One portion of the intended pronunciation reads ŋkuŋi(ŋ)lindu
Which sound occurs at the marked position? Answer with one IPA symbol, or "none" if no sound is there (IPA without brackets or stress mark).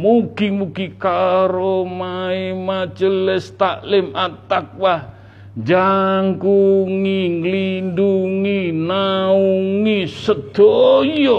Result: ŋ